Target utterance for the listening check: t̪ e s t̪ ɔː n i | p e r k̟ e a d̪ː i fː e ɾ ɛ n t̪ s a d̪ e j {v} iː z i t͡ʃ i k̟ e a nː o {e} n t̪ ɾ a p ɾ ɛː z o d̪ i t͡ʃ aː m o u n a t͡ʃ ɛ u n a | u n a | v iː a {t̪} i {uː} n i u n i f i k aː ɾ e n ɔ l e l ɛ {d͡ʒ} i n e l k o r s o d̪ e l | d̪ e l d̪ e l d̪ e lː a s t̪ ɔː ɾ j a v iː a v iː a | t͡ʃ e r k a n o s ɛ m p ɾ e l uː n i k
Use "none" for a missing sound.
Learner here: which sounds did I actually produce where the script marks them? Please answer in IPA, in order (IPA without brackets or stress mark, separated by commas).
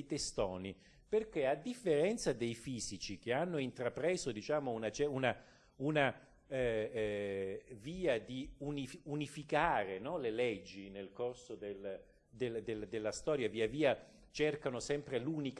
f, i, d̪, u, d͡ʒː